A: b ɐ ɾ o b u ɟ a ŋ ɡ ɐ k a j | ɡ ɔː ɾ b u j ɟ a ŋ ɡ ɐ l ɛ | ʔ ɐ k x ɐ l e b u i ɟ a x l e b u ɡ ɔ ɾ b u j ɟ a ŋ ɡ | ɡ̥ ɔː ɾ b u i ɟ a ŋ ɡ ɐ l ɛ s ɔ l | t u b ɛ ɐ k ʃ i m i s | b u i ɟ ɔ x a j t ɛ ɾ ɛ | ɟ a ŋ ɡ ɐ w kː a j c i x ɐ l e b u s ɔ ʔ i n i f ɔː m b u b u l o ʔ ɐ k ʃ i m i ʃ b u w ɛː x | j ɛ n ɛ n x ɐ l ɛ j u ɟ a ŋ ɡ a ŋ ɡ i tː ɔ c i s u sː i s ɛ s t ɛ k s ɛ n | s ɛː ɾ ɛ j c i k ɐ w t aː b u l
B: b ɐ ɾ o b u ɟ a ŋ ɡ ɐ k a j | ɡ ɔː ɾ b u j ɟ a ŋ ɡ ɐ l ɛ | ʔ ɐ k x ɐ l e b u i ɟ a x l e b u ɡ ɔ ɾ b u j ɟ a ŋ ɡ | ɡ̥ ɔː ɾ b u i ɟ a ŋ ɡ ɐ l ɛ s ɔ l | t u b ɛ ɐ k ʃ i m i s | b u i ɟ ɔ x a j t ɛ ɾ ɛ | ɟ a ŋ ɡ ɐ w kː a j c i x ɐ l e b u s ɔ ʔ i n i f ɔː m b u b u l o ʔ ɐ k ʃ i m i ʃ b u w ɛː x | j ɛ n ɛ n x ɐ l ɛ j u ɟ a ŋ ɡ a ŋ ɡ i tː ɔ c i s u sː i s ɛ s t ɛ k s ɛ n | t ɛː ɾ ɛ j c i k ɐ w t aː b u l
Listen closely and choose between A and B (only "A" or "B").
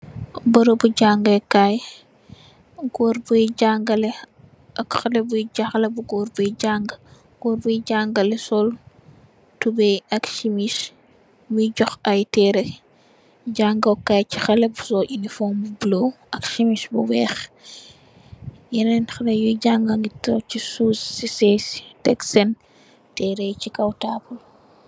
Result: B